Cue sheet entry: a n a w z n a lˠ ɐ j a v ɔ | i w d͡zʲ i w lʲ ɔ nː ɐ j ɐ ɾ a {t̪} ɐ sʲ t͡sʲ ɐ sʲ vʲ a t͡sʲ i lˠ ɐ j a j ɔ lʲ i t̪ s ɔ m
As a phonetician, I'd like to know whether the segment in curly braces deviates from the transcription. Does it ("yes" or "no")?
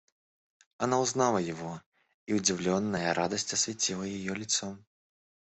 yes